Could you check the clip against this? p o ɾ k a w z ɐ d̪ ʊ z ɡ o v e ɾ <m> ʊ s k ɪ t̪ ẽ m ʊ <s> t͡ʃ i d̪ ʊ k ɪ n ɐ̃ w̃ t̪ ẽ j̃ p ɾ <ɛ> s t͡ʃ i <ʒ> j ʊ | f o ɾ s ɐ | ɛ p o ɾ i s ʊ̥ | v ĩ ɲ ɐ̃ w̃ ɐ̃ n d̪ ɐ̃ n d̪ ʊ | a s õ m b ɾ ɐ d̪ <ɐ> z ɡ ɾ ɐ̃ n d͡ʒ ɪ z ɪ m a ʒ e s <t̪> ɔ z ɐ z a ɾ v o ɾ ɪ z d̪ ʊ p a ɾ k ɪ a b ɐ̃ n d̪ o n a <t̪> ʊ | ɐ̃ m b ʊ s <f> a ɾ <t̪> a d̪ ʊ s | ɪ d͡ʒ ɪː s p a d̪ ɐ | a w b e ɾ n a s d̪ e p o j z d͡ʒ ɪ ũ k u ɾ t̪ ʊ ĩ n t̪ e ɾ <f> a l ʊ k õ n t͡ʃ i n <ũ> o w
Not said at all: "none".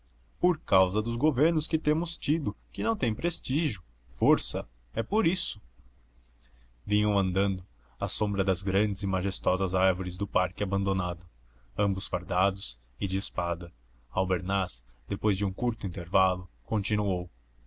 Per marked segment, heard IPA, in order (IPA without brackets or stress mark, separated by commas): n, s, e, ʒ, ɐ, t̪, d̪, f, d̪, v, u